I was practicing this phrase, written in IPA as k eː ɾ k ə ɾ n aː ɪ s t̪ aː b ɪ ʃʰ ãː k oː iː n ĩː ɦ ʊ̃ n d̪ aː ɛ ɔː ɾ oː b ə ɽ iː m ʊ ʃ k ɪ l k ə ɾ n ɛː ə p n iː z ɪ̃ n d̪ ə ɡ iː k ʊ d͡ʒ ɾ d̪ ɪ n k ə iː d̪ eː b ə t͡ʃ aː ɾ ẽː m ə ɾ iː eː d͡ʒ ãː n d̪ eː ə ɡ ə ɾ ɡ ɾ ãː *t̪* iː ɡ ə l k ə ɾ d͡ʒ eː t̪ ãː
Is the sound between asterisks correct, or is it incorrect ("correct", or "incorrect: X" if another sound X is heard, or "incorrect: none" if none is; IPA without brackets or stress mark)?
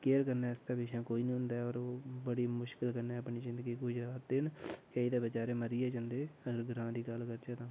incorrect: d̪